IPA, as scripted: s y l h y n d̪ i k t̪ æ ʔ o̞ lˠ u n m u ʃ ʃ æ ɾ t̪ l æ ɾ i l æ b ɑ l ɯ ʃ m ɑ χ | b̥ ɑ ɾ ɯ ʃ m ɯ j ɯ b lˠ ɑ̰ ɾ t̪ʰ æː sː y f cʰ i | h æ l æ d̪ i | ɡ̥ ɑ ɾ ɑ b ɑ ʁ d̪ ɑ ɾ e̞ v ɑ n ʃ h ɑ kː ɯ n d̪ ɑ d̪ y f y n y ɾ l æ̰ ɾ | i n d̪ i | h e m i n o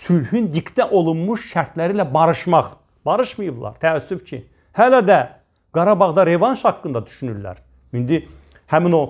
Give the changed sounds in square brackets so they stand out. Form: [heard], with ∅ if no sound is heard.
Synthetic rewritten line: s y l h y n d̪ i k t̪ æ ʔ o̞ lˠ u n m u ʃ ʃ æ ɾ t̪ l æ ɾ i l æ b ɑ [ɾ] ɯ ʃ m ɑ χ | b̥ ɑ ɾ ɯ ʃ m ɯ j ɯ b lˠ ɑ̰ ɾ t̪ʰ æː sː y f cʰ i | h æ l æ d̪ [æ] | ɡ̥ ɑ ɾ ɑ b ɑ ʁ d̪ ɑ ɾ e̞ v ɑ n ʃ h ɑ kː ɯ n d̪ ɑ d̪ y [ʃ] y n y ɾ l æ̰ ɾ | i n d̪ i | h [æ] m i n o